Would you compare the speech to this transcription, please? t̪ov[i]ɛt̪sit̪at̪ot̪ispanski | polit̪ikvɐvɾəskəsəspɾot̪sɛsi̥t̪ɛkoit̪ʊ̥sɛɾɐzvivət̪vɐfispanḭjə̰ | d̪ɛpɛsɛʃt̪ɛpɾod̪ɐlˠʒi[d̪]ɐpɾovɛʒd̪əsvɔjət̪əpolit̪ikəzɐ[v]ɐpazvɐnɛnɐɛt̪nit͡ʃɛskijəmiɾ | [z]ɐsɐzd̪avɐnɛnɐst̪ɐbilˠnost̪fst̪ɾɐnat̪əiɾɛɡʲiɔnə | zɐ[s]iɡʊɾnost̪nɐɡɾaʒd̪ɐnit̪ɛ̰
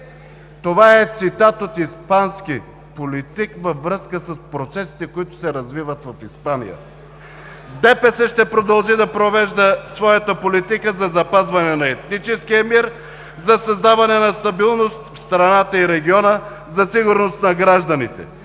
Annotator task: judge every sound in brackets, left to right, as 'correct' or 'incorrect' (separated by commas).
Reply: incorrect, correct, incorrect, correct, correct